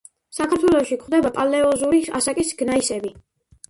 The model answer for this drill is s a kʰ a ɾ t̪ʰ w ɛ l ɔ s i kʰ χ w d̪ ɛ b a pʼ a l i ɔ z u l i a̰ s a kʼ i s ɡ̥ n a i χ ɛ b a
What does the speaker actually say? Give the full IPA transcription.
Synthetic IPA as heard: s a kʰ a ɾ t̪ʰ w ɛ l ɔ ʃ i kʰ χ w d̪ ɛ b a pʼ a l ɛ ɔ z u ɾ i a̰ s a kʼ i s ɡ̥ n a i s ɛ b i